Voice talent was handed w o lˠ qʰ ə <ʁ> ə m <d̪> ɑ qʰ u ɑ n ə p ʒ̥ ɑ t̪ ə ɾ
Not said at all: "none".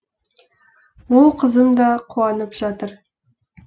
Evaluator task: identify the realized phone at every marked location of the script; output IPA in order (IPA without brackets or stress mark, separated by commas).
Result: z, d̪